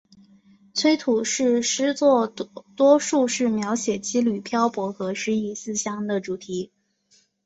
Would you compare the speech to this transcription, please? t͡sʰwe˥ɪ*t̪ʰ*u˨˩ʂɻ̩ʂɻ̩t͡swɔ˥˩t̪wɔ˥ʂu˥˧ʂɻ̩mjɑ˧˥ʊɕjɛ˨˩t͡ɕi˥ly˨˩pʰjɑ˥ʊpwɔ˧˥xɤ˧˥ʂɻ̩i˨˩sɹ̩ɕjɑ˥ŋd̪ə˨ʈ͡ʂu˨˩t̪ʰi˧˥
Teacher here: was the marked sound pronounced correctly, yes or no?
yes